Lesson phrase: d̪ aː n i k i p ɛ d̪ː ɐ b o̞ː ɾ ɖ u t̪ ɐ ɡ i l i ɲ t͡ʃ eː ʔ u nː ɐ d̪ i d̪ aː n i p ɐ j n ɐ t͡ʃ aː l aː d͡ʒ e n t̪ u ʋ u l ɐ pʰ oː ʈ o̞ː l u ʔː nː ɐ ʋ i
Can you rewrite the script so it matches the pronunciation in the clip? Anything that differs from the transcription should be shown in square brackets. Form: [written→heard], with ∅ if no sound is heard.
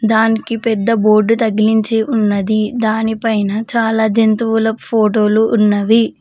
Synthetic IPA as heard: d̪ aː n i k i p ɛ d̪ː ɐ b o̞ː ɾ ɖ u t̪ ɐ ɡ i l i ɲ t͡ʃ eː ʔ u nː ɐ d̪ i d̪ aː n i p ɐ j n ɐ t͡ʃ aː l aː d͡ʒ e n t̪ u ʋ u l ɐ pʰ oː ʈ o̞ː l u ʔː nː ɐ ʋ i